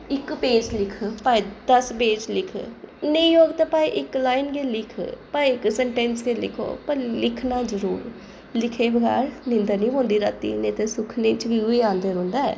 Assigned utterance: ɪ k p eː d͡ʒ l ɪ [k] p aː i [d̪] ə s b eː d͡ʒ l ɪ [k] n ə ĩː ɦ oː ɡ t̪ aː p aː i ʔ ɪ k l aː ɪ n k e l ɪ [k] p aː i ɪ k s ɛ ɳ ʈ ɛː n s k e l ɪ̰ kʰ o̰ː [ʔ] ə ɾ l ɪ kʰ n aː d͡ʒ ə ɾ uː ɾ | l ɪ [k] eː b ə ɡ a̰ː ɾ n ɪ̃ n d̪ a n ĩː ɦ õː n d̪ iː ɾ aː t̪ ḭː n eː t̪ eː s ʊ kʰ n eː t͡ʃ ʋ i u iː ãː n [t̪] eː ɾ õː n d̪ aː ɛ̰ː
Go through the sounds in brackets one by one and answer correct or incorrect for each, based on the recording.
incorrect, correct, incorrect, incorrect, incorrect, incorrect, incorrect

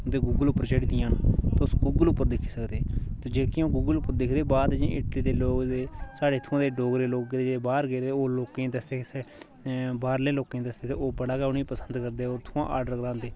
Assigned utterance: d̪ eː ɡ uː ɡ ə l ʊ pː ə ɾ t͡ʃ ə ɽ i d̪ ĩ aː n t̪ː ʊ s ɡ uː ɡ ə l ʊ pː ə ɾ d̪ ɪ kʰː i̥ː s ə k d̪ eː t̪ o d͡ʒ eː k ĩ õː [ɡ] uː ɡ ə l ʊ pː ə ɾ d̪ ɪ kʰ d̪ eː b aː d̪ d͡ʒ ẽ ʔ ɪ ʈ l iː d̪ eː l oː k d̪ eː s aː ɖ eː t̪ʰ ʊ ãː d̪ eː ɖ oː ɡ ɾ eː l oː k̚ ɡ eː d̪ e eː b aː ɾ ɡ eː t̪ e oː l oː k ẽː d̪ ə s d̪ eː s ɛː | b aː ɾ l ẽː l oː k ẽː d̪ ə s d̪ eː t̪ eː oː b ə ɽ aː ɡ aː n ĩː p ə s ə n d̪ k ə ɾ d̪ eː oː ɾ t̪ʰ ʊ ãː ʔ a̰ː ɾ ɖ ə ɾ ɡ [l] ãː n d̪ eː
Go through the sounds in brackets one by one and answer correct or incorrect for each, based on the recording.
correct, incorrect

